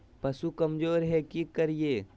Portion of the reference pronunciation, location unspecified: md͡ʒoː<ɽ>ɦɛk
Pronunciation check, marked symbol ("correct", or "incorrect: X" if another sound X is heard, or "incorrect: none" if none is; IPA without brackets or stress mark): incorrect: ɾ